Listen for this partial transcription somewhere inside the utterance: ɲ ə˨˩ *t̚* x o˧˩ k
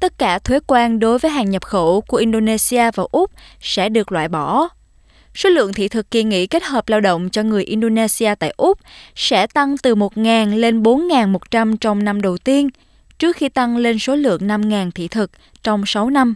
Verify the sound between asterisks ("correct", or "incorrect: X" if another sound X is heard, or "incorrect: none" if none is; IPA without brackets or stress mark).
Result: incorrect: p̚